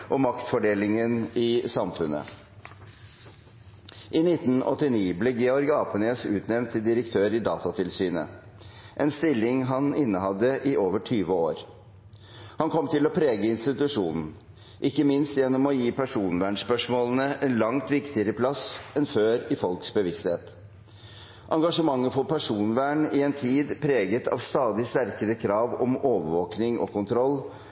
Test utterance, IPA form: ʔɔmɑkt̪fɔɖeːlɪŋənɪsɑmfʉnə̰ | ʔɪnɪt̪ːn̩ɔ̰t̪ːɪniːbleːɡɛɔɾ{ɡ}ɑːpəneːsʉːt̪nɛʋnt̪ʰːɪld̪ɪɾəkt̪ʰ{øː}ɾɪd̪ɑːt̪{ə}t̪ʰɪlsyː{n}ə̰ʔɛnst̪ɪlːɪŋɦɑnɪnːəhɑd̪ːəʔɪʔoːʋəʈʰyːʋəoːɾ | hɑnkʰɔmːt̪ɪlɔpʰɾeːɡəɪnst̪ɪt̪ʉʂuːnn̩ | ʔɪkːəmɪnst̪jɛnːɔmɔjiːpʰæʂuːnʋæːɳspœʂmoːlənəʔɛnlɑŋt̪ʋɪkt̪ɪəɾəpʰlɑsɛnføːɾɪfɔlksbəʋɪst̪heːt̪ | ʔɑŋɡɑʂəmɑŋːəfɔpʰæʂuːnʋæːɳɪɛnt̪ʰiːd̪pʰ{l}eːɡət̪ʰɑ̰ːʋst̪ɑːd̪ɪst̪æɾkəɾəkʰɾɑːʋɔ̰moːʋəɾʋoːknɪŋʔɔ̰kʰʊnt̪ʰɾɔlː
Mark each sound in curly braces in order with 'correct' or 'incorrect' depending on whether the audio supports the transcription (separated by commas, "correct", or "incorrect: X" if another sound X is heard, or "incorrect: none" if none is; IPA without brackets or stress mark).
correct, correct, incorrect: ɑ, correct, incorrect: ɾ